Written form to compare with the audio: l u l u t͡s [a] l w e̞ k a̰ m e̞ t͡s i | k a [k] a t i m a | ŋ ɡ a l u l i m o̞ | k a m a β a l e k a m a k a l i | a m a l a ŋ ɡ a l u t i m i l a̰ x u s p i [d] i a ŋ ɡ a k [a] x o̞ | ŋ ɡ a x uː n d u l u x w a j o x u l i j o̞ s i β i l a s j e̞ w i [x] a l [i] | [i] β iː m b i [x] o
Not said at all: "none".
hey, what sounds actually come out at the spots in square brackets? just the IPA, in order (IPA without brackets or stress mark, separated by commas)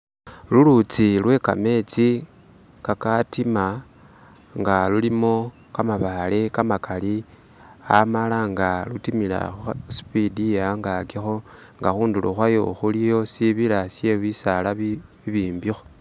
i, k, d, i, s, a, i, x